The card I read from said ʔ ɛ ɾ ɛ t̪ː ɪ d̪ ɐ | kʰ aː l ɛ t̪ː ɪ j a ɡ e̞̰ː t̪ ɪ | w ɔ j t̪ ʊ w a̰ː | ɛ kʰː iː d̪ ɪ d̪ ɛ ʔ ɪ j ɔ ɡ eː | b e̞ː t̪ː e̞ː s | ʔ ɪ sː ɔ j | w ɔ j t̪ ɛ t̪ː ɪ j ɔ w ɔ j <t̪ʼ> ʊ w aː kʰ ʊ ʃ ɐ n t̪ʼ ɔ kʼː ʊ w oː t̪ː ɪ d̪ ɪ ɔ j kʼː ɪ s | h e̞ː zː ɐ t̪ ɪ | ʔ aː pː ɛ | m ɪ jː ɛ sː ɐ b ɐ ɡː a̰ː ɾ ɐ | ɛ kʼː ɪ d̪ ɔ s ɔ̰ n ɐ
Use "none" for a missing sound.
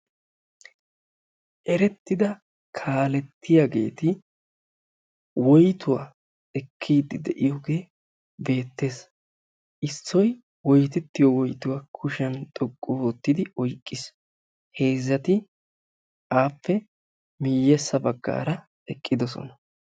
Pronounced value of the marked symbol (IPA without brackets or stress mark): t̪